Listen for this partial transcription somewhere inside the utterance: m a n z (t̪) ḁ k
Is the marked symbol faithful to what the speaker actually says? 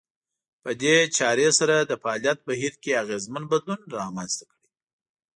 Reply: yes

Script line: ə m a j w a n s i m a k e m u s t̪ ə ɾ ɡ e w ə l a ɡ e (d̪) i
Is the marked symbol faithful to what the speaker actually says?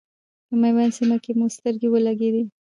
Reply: yes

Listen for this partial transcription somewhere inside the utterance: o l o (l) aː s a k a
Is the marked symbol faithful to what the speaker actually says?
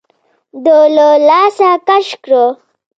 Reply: yes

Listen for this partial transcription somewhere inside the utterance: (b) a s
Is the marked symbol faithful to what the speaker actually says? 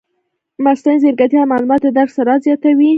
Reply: no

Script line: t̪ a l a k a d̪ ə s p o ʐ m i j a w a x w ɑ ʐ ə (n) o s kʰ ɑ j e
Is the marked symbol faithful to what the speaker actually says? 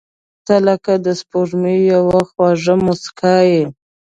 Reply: no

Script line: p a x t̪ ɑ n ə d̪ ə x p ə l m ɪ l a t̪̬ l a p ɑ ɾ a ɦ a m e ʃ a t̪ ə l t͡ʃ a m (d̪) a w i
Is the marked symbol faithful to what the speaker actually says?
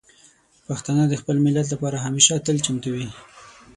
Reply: no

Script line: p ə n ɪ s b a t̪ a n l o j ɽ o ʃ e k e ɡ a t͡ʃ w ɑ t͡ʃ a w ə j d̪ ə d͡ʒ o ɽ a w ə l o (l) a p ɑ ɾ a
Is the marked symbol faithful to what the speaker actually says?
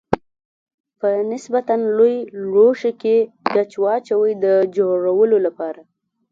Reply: yes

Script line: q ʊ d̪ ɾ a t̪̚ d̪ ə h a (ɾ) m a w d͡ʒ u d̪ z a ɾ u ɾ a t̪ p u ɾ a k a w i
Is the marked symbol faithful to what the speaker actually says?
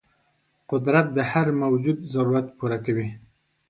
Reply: yes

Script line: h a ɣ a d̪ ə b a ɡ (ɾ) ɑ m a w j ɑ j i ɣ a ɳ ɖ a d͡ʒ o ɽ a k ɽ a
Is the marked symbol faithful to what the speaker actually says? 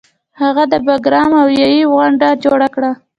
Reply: yes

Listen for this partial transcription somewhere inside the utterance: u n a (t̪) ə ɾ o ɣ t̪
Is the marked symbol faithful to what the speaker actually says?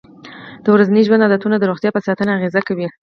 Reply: no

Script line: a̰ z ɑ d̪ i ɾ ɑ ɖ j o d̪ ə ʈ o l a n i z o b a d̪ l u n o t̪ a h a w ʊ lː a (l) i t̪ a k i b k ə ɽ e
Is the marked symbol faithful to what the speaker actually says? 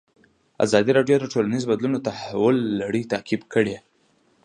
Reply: no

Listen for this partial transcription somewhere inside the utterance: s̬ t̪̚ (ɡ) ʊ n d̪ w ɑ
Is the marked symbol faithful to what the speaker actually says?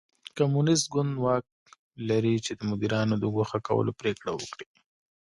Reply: yes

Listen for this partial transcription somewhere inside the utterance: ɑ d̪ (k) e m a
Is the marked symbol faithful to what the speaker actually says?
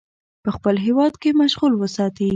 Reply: yes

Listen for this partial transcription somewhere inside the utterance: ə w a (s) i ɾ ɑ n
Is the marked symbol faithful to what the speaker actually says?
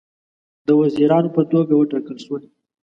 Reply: no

